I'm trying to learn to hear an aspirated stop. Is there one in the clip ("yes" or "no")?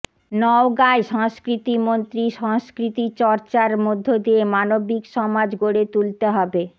no